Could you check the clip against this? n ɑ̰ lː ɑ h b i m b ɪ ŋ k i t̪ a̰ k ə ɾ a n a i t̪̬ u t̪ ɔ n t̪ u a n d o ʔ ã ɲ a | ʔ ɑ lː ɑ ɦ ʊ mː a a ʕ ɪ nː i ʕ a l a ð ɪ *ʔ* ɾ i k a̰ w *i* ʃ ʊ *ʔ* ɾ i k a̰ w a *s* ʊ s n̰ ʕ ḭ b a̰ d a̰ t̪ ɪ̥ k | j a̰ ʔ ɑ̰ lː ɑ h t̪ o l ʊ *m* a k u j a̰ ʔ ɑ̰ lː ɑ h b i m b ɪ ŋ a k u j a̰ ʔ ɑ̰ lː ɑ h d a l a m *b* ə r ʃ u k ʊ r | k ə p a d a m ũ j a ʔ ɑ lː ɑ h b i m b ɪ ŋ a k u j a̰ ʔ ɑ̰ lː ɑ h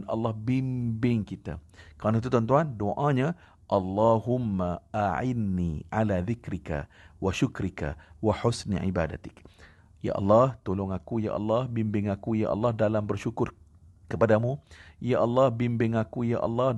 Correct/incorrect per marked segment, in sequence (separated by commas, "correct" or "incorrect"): incorrect, incorrect, incorrect, incorrect, incorrect, correct